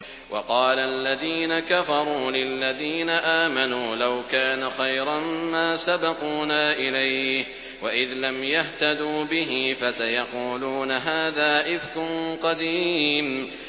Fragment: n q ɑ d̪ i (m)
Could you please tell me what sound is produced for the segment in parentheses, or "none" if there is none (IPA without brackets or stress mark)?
m